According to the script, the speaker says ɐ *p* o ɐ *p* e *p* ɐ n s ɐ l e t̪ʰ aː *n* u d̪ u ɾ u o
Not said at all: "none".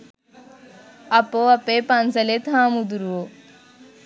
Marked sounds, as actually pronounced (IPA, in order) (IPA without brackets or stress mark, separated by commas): p, p, p, m